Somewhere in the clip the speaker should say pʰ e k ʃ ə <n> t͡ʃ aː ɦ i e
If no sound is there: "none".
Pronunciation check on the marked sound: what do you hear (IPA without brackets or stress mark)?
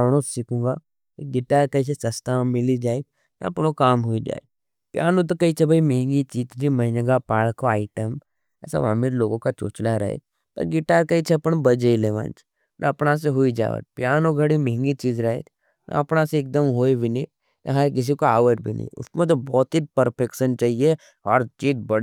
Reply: n